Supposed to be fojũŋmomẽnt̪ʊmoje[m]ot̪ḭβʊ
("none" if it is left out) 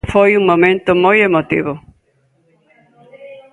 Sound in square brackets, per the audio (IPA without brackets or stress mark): m